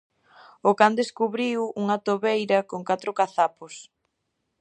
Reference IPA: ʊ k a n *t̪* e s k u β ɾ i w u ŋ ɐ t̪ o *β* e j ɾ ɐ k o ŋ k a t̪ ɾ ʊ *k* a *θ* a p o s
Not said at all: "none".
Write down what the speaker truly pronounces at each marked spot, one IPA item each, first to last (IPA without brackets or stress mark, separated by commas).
d̪, β, k, θ